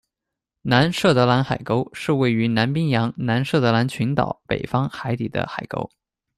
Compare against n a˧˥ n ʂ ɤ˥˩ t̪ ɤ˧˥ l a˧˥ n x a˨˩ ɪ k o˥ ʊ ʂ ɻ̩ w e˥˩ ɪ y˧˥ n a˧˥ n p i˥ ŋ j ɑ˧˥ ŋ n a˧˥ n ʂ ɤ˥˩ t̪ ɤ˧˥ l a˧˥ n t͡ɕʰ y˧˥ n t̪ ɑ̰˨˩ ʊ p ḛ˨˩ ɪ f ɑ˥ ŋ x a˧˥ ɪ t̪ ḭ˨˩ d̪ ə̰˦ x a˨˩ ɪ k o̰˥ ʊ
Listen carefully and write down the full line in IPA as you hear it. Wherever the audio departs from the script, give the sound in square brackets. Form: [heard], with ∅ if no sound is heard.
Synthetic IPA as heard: n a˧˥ n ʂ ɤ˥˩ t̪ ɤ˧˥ l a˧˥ n x a˨˩ ɪ k o˥ ʊ ʂ ɻ̩ w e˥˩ ɪ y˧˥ n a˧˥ n p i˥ ŋ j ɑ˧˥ ŋ n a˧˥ n ʂ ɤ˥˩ t̪ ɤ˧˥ l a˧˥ n t͡ɕʰ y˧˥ n t̪ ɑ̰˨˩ ʊ p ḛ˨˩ ɪ f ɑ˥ ŋ x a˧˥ ɪ t̪ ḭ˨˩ d̪ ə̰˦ x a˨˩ ɪ k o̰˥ ʊ